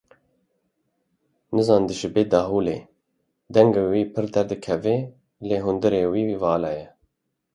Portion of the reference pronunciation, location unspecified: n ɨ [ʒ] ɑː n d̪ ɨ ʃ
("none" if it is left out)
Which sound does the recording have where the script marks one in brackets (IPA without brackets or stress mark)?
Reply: z